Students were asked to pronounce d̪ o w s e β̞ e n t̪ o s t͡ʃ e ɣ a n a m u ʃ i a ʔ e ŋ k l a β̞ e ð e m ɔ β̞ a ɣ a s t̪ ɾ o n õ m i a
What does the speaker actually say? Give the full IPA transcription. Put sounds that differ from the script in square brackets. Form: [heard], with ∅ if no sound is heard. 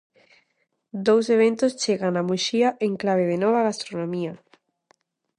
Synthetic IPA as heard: d̪ o w s e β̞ e n t̪ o s t͡ʃ e ɣ a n a m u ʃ i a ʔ e ŋ k l a β̞ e ð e [n] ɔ β̞ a ɣ a s t̪ ɾ o n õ m i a